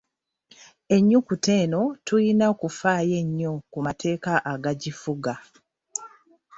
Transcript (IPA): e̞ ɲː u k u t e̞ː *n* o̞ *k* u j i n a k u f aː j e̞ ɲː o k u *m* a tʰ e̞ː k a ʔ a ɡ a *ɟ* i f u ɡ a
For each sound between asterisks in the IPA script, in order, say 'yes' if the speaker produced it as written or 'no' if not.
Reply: yes, no, yes, yes

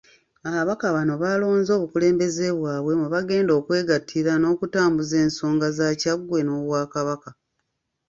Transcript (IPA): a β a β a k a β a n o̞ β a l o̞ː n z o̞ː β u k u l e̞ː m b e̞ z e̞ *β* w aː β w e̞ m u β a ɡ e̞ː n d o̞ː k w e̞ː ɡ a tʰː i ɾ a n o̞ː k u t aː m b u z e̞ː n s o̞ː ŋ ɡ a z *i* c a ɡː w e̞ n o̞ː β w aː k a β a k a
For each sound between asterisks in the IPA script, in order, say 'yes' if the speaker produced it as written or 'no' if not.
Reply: yes, no

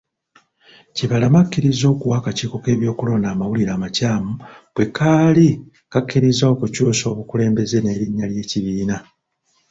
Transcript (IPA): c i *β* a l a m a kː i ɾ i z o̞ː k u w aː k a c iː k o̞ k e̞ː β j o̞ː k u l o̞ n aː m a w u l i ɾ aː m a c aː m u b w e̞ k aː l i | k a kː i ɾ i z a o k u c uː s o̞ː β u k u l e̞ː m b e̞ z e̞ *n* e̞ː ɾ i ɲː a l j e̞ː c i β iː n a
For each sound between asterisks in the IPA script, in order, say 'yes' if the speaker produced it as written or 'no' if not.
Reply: yes, yes

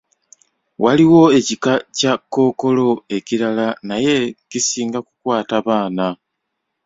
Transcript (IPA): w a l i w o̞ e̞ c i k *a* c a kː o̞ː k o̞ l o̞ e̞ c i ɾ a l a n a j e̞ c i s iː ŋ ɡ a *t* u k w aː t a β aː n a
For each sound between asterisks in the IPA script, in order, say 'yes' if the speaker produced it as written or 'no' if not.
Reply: yes, no

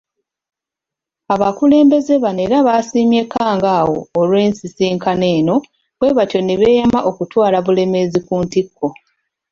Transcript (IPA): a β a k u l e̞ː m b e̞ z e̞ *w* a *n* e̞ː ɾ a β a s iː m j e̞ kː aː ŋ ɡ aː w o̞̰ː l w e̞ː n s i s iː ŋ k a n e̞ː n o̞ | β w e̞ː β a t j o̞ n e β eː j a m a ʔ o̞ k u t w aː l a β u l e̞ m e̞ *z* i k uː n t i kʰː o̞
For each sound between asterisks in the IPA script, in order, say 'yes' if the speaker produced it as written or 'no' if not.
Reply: no, yes, yes

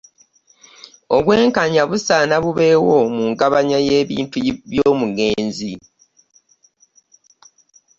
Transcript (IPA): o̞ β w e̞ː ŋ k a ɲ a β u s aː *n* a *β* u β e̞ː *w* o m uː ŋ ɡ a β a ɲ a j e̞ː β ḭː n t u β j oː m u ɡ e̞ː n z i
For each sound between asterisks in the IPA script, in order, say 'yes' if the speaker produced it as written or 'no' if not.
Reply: yes, yes, yes

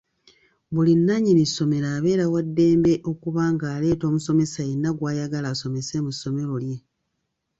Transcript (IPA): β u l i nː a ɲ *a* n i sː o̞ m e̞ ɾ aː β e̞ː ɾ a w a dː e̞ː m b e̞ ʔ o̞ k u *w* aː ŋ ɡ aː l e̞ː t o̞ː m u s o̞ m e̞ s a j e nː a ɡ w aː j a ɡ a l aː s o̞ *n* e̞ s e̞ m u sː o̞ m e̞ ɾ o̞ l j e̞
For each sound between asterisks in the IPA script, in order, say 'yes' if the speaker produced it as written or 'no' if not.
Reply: no, no, no

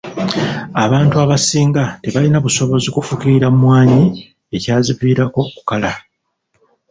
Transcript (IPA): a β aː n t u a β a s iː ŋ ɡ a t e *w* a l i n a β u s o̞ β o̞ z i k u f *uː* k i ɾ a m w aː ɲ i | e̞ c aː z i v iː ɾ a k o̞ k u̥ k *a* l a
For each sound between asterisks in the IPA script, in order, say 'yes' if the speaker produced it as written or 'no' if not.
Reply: no, no, yes

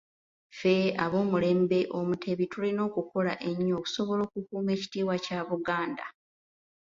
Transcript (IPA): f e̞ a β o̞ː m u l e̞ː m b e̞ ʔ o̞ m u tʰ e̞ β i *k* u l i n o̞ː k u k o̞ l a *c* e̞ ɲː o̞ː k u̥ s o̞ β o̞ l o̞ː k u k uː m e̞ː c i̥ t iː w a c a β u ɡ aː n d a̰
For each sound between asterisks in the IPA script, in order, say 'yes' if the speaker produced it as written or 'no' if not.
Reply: no, no

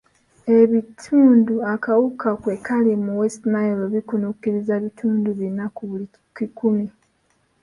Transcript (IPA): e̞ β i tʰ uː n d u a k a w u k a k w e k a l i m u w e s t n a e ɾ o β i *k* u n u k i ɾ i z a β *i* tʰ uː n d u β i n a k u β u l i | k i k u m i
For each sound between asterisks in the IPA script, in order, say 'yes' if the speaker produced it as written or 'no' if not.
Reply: yes, yes

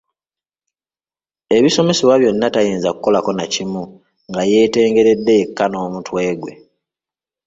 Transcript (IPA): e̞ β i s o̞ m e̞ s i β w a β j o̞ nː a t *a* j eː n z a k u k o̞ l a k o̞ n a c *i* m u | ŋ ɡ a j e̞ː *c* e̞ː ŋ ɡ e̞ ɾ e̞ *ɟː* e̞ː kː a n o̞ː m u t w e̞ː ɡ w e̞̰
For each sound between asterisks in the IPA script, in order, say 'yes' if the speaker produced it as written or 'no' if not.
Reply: yes, yes, no, no

